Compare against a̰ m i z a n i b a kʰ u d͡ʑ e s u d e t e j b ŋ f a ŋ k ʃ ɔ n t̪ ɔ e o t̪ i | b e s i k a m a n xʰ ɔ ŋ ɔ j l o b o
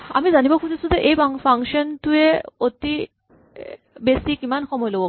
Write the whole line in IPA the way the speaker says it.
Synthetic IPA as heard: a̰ m i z a n i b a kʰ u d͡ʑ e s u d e ʔ e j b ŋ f a ŋ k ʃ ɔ n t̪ u e o t̪ i | b e s i k i m a n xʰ ɔ m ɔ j l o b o